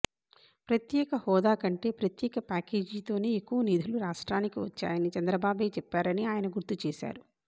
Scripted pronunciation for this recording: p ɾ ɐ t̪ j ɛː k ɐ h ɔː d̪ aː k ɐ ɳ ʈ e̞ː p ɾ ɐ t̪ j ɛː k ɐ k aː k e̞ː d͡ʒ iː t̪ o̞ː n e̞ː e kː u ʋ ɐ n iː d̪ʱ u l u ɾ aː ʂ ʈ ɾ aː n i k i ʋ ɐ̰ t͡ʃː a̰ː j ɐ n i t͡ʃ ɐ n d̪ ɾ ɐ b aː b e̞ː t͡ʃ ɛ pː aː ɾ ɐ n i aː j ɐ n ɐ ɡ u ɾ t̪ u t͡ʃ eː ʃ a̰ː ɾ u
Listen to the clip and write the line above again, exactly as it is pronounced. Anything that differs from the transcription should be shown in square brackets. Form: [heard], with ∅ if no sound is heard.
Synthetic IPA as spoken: p ɾ ɐ t̪ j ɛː k ɐ h ɔː d̪ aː k ɐ ɳ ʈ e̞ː p ɾ ɐ t̪ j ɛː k ɐ [p] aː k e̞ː d͡ʒ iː t̪ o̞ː n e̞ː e kː u ʋ ɐ n iː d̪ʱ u l u ɾ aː ʂ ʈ ɾ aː n i k i ʋ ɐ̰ t͡ʃː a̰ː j ɐ n i t͡ʃ ɐ n d̪ ɾ ɐ b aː b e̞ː t͡ʃ ɛ pː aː ɾ ɐ n i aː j ɐ n ɐ ɡ u ɾ t̪ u t͡ʃ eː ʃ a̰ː ɾ u

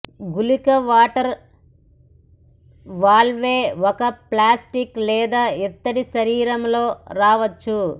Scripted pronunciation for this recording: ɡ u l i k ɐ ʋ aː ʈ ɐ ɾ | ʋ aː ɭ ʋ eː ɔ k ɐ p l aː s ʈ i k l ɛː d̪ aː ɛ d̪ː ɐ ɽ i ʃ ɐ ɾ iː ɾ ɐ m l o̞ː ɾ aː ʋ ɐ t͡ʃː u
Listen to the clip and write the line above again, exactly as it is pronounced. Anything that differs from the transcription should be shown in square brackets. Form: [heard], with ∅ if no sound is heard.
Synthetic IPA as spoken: ɡ u l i k ɐ ʋ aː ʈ ɐ ɾ | ʋ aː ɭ ʋ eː ɔ k ɐ p l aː s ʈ i k l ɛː d̪ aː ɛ [t̪ː] ɐ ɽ i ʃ ɐ ɾ iː ɾ ɐ m l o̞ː ɾ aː ʋ ɐ t͡ʃː u

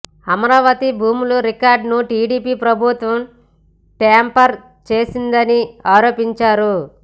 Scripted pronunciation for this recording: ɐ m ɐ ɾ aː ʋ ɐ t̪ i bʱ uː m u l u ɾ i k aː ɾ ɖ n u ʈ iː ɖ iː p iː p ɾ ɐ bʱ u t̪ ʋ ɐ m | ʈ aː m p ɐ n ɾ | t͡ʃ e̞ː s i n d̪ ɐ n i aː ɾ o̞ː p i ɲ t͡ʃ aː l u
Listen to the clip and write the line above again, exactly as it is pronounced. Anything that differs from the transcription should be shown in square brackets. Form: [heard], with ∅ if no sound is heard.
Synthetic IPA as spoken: ɐ m ɐ ɾ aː ʋ ɐ t̪ i bʱ uː m u l u ɾ i k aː ɾ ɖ n u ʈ iː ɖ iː p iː p ɾ ɐ bʱ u t̪ ʋ ɐ m | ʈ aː m p ɐ [∅] ɾ | t͡ʃ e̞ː s i n d̪ ɐ n i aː ɾ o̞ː p i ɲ t͡ʃ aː [ɾ] u

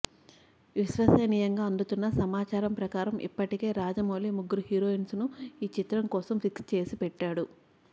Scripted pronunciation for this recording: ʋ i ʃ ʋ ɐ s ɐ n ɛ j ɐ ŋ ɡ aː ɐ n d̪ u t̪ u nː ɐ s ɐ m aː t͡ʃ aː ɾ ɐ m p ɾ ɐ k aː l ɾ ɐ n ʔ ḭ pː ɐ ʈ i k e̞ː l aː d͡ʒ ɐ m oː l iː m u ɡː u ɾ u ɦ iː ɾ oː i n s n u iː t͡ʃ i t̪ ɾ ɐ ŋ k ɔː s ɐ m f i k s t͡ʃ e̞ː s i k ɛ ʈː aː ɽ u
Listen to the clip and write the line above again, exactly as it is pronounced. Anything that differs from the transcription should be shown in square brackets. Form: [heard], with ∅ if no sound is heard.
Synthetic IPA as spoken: ʋ i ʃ ʋ ɐ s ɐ n [i] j ɐ ŋ ɡ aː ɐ n d̪ u t̪ u nː ɐ s ɐ m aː t͡ʃ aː ɾ ɐ m p ɾ ɐ k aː [∅] ɾ ɐ [m] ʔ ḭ pː ɐ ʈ i k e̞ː [ɾ] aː d͡ʒ ɐ m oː l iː m u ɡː u ɾ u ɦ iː ɾ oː i n s n u iː t͡ʃ i t̪ ɾ ɐ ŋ k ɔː s ɐ m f i k s t͡ʃ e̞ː s i [p] ɛ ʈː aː ɽ u

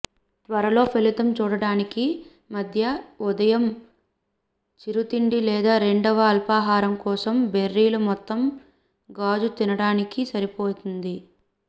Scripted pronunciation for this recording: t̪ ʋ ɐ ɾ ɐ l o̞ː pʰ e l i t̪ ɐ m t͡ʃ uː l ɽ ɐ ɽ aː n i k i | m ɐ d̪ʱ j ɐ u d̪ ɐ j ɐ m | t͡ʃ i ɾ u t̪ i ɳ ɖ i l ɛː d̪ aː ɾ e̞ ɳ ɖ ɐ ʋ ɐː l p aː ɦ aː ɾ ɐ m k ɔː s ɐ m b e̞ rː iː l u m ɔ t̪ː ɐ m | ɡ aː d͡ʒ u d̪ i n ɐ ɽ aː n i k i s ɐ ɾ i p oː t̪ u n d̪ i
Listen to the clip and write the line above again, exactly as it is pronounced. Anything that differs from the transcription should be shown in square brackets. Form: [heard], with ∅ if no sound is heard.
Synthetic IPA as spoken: t̪ ʋ ɐ ɾ ɐ l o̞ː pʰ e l i t̪ ɐ m t͡ʃ uː [∅] ɽ ɐ ɽ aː n i k i | m ɐ d̪ʱ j ɐ u d̪ ɐ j ɐ m | t͡ʃ i ɾ u t̪ i ɳ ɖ i l ɛː d̪ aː ɾ e̞ ɳ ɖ ɐ ʋ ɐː l p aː ɦ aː ɾ ɐ m k ɔː s ɐ m b e̞ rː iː l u m ɔ t̪ː ɐ m | ɡ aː d͡ʒ u [t̪] i n ɐ ɽ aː n i k i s ɐ ɾ i p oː t̪ u n d̪ i

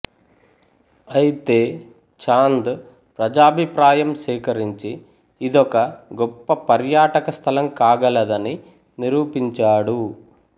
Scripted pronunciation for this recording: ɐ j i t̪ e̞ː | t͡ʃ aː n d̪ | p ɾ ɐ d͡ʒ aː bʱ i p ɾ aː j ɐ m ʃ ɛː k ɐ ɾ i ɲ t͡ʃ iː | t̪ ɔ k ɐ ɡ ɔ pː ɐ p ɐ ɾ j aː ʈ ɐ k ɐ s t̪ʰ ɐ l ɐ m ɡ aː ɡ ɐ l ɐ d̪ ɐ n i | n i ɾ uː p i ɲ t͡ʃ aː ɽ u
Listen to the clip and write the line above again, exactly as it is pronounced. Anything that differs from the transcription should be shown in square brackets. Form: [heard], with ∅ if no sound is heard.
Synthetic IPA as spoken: ɐ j i t̪ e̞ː | t͡ʃ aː n d̪ | p ɾ ɐ d͡ʒ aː bʱ i p ɾ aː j ɐ m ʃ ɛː k ɐ ɾ i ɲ t͡ʃ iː | [d̪] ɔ k ɐ ɡ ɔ pː ɐ p ɐ ɾ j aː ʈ ɐ k ɐ s t̪ʰ ɐ l ɐ m [k] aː ɡ ɐ l ɐ d̪ ɐ n i | n i ɾ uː p i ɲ t͡ʃ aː ɽ u

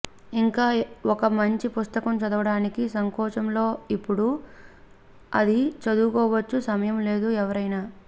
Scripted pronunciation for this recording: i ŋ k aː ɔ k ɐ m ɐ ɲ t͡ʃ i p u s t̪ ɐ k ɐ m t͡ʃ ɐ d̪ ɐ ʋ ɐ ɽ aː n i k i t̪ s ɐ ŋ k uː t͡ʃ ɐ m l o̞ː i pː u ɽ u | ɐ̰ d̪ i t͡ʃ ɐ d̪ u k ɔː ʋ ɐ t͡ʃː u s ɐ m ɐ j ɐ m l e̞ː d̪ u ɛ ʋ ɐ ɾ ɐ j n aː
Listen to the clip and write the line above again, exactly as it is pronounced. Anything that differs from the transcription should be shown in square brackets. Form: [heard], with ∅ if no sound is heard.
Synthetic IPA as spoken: i ŋ k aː ɔ k ɐ m ɐ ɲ t͡ʃ i p u s t̪ ɐ k ɐ m t͡ʃ ɐ d̪ ɐ ʋ ɐ ɽ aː n i k i [∅] s ɐ ŋ k [ɔː] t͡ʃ ɐ m l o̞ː i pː u ɽ u | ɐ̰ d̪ i t͡ʃ ɐ d̪ u k ɔː ʋ ɐ t͡ʃː u s ɐ m ɐ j ɐ m l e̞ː d̪ u ɛ ʋ ɐ ɾ ɐ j n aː

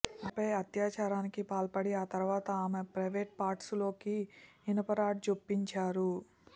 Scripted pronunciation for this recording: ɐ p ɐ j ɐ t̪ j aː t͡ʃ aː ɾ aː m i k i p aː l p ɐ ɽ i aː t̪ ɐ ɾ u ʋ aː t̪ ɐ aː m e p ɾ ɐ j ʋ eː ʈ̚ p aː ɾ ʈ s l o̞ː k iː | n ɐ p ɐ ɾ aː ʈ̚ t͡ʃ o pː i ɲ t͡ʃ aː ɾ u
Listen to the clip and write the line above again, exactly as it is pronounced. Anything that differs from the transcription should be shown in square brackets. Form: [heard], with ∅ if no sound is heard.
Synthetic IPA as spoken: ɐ p ɐ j ɐ t̪ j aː t͡ʃ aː ɾ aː [n] i k i p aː l p ɐ ɽ i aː t̪ ɐ ɾ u ʋ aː t̪ ɐ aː m e p ɾ ɐ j ʋ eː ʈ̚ p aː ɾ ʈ s l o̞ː k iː | n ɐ p ɐ ɾ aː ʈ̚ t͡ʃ o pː i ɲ t͡ʃ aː ɾ u

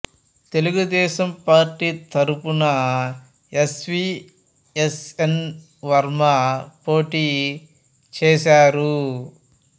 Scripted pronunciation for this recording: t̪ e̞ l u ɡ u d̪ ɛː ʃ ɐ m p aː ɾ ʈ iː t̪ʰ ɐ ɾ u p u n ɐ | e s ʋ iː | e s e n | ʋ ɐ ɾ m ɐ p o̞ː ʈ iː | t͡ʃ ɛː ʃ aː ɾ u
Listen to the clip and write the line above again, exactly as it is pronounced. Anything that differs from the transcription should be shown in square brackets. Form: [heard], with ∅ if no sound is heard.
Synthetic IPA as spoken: t̪ e̞ l u ɡ u d̪ ɛː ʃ ɐ m p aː ɾ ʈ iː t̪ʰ ɐ ɾ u p u n ɐ | e s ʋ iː | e s e n | ʋ ɐ ɾ m ɐ p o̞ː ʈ iː | t͡ʃ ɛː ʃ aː ɾ u

